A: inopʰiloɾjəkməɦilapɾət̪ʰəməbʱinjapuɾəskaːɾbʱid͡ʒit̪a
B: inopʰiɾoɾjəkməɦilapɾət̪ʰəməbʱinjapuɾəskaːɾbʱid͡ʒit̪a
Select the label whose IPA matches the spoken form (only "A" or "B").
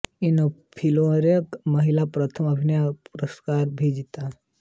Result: A